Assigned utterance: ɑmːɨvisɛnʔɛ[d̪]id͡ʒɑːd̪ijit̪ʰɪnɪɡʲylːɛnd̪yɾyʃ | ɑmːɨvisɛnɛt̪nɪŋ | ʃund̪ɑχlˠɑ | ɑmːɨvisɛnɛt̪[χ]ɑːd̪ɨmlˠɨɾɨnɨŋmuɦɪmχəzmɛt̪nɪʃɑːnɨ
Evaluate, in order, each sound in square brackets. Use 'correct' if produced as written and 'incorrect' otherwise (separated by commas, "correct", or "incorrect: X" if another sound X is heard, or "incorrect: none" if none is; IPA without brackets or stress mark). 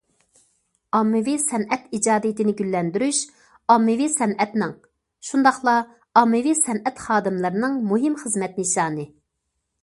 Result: incorrect: t̪, correct